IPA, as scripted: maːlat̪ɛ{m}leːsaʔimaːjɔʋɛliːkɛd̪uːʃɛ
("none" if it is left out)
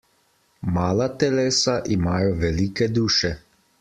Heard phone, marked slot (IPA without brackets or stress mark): none